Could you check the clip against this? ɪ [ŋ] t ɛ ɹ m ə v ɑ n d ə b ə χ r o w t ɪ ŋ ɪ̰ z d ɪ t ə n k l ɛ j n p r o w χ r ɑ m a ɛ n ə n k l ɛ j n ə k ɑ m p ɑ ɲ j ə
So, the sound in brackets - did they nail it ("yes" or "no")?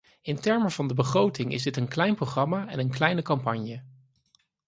no